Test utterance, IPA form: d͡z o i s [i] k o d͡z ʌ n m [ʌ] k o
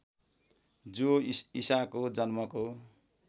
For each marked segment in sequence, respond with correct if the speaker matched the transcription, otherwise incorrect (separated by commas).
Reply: incorrect, correct